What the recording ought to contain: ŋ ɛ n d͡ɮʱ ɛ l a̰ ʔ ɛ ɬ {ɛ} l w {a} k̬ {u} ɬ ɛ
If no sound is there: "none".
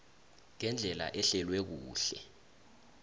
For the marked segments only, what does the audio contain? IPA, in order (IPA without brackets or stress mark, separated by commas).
ɛ, ɛ, uː